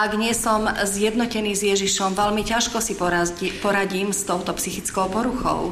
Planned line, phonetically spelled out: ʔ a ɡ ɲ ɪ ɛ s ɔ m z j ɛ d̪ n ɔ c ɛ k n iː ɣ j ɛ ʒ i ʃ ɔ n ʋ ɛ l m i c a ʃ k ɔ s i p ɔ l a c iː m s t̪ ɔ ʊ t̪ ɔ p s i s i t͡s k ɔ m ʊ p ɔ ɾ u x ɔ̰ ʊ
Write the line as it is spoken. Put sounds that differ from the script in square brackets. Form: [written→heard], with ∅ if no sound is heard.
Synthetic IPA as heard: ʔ a ɡ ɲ ɪ ɛ s ɔ m z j ɛ d̪ n ɔ c ɛ [k→∅] n iː [ɣ→z] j ɛ ʒ i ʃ ɔ [n→m] ʋ ɛ l m i c a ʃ k ɔ s i p ɔ [l→ɾ] a [c→ɟ] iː m s t̪ ɔ ʊ t̪ ɔ p s i [s→x] i t͡s k ɔ [m→∅] ʊ p ɔ ɾ u x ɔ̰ ʊ